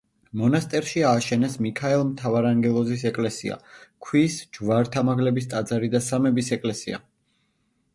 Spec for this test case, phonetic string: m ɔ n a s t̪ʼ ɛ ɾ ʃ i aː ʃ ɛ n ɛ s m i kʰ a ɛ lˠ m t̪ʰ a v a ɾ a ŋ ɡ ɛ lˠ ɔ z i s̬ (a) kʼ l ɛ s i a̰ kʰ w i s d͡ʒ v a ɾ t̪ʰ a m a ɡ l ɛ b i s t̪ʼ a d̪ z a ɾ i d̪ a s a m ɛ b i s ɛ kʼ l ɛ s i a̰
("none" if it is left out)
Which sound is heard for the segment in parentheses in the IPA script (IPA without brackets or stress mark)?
ɛ